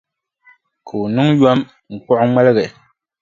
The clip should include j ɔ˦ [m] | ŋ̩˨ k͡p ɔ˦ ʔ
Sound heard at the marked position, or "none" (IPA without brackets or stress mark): m